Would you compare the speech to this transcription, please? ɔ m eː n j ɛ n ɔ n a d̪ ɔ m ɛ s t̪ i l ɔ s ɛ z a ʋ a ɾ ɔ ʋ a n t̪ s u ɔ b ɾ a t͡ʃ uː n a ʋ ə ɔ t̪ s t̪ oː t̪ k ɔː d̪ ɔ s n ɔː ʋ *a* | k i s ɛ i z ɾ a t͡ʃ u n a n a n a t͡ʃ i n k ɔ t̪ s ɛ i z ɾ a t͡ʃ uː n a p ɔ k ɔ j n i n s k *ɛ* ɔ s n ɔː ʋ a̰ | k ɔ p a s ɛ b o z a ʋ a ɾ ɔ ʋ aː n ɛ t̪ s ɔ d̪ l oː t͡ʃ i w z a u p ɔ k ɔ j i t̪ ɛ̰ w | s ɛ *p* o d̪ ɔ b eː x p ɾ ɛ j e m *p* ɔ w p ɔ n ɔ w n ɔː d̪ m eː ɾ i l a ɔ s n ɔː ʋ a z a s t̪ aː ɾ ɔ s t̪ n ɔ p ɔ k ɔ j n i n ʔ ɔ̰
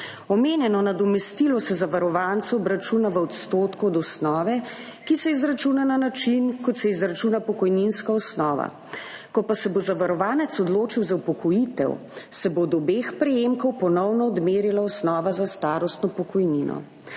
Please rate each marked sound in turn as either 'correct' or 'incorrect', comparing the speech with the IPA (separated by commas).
incorrect, incorrect, incorrect, incorrect